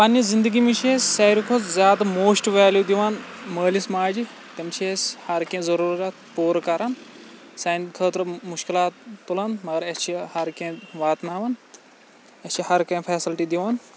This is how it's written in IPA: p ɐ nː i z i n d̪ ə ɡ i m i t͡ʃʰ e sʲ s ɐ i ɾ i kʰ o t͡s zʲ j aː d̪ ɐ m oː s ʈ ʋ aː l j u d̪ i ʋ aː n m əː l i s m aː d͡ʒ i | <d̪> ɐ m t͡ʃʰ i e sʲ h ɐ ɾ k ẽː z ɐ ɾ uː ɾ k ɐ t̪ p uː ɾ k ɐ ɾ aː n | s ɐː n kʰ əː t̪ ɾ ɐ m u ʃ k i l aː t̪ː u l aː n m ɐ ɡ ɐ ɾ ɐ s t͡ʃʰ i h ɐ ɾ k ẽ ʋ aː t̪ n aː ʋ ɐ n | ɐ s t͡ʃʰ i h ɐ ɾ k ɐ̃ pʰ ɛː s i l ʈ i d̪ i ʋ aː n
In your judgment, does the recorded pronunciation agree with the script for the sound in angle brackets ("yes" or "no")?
no